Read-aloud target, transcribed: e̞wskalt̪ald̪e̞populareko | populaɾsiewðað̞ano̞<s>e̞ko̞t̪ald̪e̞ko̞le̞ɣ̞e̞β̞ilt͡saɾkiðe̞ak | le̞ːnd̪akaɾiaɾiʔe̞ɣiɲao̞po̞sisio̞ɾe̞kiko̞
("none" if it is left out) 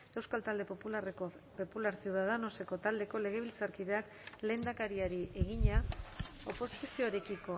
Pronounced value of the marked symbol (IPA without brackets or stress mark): s